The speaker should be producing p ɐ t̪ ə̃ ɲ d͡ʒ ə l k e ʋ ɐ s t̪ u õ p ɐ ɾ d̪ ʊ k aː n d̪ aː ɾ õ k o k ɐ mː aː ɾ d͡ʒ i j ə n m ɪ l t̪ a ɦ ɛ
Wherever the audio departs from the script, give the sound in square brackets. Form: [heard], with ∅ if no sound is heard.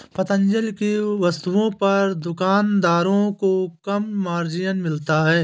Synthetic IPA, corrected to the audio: p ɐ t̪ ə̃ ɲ d͡ʒ ə l k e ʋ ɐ s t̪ u õ p ɐ ɾ d̪ ʊ k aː n d̪ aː ɾ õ k o k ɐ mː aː ɾ d͡ʒ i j ə n m ɪ l t̪ a ɦ [ɛː]